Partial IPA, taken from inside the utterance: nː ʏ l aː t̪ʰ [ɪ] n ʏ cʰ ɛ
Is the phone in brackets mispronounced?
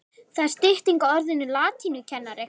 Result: yes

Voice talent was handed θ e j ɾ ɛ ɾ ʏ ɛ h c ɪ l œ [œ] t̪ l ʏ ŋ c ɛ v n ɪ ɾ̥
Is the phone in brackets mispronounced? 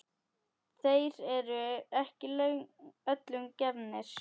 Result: no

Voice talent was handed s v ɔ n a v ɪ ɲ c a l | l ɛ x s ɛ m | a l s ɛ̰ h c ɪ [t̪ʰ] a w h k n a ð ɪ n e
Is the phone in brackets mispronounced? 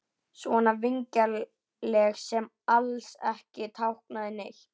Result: no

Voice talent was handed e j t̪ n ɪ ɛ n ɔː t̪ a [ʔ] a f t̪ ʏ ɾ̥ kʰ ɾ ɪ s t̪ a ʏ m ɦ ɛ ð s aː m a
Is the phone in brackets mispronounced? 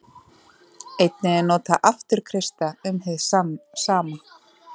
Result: no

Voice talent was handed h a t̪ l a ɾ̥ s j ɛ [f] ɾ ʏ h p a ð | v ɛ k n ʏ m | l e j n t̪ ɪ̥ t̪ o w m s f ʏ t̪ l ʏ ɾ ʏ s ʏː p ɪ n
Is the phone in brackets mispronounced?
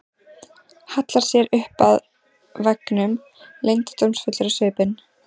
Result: yes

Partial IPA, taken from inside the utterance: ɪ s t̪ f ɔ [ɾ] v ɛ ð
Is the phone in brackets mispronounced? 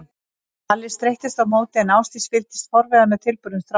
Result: no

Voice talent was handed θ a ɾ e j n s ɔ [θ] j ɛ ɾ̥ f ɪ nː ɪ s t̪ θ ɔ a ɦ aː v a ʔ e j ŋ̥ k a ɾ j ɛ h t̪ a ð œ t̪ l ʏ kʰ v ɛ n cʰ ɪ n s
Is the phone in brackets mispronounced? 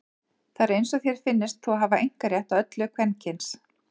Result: no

